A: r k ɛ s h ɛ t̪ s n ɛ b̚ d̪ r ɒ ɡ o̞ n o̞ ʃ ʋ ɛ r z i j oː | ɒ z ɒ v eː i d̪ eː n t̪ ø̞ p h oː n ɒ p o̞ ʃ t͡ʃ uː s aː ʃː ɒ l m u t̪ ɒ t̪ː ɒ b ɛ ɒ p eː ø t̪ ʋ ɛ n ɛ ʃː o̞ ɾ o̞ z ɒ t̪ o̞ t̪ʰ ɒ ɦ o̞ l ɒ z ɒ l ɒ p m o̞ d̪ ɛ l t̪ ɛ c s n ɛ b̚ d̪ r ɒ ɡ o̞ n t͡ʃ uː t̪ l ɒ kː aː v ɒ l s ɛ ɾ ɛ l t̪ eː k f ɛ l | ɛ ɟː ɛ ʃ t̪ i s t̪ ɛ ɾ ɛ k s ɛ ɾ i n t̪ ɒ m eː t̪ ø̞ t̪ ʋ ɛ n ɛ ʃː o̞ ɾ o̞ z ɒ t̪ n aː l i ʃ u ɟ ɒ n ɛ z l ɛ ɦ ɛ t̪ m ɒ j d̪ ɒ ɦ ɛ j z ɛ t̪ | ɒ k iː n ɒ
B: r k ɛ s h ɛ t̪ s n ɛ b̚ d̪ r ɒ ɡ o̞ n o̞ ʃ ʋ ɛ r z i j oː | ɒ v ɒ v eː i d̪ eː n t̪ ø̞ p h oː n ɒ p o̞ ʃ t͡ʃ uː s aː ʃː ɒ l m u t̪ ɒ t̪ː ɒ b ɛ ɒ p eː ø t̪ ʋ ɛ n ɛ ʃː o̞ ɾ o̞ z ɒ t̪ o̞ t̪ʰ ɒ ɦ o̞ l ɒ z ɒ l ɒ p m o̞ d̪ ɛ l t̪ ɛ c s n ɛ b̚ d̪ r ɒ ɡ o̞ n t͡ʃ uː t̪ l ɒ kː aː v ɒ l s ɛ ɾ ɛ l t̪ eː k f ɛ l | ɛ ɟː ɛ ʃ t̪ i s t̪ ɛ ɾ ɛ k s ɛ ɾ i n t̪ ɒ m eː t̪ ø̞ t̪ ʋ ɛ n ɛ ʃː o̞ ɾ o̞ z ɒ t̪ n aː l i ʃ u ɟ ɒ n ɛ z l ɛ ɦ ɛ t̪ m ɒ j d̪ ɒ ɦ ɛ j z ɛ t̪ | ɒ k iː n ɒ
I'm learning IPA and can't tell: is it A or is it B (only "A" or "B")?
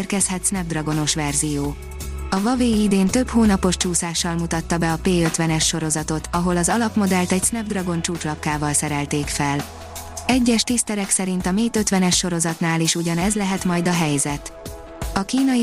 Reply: B